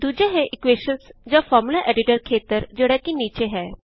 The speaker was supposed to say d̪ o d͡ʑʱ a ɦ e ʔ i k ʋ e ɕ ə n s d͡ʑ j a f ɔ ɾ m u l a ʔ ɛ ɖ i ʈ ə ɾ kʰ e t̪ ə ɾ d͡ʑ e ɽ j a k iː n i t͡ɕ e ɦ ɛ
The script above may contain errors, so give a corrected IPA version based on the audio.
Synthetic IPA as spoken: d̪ u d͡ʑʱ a ɦ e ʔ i k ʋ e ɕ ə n s d͡ʑ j a f ɔ ɾ m u l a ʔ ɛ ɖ i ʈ ə ɾ kʰ e t̪ ə ɾ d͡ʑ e ɽ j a k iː n i t͡ɕ e ɦ ɛ